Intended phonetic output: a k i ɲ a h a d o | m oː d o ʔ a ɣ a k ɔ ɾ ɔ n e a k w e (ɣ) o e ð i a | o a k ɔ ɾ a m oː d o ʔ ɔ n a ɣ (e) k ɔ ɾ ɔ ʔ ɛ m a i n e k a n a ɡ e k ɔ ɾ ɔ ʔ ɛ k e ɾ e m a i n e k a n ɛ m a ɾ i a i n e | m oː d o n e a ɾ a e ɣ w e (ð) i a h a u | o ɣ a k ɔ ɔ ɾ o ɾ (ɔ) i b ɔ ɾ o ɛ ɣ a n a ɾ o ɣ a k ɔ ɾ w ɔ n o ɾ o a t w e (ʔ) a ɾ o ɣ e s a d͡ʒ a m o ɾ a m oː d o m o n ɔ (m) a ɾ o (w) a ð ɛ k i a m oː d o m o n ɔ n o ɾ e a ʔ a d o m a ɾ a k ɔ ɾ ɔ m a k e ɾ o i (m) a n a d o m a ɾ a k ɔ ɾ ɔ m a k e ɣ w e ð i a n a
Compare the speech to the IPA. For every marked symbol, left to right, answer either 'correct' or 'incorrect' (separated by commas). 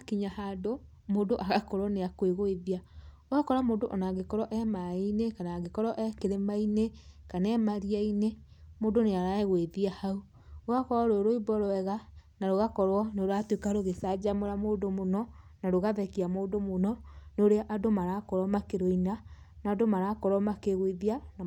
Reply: correct, correct, correct, incorrect, incorrect, incorrect, incorrect, incorrect